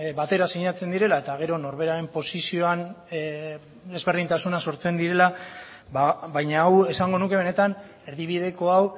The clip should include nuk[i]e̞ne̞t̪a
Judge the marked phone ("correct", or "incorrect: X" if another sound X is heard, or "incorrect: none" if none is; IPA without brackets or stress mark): incorrect: e